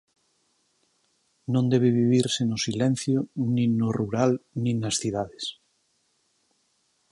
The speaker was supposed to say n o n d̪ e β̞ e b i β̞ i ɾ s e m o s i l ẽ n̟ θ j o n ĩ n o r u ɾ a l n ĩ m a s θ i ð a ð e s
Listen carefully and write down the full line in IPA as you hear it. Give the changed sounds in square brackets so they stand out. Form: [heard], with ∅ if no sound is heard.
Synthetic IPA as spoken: n [õ] n d̪ e β̞ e [β] i β̞ i ɾ s e [n] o s i l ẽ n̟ θ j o n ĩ n o r u ɾ a l n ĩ [n] a s θ i ð a ð e s